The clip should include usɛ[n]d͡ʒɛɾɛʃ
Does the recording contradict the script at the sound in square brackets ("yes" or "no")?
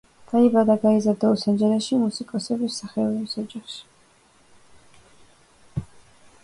no